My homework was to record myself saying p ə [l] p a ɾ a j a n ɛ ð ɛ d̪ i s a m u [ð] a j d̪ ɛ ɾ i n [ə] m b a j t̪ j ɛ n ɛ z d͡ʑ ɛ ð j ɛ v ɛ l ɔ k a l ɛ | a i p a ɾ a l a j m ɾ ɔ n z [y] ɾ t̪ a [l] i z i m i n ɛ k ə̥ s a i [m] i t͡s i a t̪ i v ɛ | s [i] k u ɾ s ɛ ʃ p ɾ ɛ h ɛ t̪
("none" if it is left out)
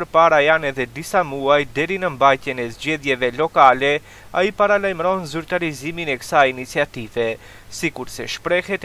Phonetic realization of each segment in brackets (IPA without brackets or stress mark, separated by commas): ɾ, none, ə, y, ɾ, n, i